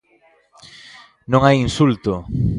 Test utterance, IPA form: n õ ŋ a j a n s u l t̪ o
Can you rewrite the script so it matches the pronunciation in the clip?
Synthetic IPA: n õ ŋ a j i n s u l t̪ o